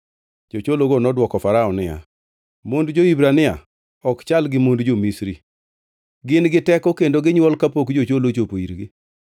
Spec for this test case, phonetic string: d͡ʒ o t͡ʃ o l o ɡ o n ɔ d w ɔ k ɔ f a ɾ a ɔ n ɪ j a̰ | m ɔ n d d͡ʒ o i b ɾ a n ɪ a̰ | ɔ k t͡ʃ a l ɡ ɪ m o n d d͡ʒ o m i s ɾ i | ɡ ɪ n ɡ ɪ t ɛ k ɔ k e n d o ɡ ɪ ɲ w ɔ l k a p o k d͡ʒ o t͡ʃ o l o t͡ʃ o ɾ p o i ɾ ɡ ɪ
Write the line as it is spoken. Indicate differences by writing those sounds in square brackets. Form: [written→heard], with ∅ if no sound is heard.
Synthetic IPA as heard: d͡ʒ o t͡ʃ o l o ɡ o n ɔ d w ɔ k ɔ f a ɾ a ɔ n ɪ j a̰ | m [ɔ→o] n d d͡ʒ o i b ɾ a n ɪ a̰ | ɔ k t͡ʃ a l ɡ ɪ m o n d d͡ʒ o m i s ɾ i | ɡ ɪ n ɡ ɪ t ɛ k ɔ k e n d o ɡ ɪ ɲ w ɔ l k a p o k d͡ʒ o t͡ʃ o l o t͡ʃ o [ɾ→∅] p o i ɾ ɡ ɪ